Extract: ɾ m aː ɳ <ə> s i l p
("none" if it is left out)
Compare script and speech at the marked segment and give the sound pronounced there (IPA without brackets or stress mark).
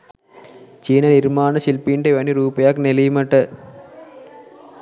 ɐ